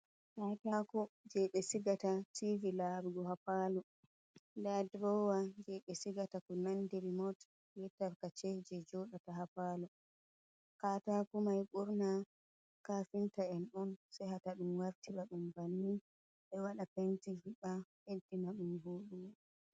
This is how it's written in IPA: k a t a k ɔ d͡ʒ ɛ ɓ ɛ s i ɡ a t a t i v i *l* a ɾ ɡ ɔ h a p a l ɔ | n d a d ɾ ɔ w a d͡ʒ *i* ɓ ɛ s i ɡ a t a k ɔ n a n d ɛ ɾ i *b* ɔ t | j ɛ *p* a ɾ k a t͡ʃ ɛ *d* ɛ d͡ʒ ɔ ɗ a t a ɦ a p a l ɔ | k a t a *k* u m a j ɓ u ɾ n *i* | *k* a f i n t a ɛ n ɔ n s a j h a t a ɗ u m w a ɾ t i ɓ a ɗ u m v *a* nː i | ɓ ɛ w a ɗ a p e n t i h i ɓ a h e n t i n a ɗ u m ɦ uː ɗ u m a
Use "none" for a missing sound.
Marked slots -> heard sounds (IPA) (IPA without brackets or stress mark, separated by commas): l, ɛ, m, t, d͡ʒ, k, a, k, a